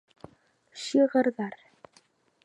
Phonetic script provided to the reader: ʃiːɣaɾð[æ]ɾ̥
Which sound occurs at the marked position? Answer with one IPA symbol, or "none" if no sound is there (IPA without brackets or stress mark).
a